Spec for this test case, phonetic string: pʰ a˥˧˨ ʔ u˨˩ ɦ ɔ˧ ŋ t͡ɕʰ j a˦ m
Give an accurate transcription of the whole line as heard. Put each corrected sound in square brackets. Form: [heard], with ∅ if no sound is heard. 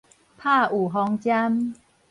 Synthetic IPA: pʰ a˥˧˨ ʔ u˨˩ ɦ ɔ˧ ŋ [t͡ɕ] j a˦ m

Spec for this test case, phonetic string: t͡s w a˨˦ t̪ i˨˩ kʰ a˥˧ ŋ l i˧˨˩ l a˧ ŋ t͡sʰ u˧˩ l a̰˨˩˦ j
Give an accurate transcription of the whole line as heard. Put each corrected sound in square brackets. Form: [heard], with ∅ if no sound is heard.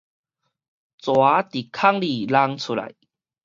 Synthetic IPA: t͡s w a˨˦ t̪ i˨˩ kʰ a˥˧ ŋ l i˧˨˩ l a˧ ŋ t͡sʰ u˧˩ l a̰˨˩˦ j

